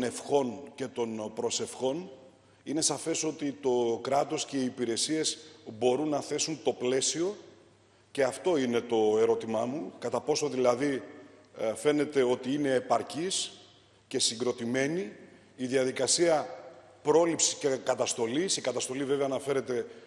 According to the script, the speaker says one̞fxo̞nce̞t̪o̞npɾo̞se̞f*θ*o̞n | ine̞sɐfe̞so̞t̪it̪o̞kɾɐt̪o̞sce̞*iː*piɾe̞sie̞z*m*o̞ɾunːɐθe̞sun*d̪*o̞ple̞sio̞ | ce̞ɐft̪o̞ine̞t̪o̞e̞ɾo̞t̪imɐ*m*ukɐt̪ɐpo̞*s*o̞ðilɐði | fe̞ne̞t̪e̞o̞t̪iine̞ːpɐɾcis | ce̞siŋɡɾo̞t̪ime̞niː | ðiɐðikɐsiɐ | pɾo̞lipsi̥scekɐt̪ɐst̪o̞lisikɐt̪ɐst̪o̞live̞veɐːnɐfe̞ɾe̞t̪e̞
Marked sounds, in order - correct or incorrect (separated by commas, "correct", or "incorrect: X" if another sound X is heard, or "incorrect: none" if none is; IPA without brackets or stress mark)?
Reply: incorrect: x, correct, incorrect: b, incorrect: t̪, correct, correct